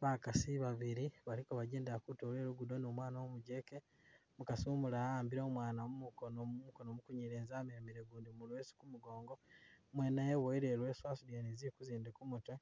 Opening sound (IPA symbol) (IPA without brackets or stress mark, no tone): β